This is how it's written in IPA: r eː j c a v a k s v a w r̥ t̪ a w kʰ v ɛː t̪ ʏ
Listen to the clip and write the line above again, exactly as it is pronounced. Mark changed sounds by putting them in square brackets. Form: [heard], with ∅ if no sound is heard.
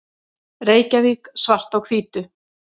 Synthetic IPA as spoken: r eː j c a v [i] k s v a [∅] r̥ t̪ a w kʰ v [iː] t̪ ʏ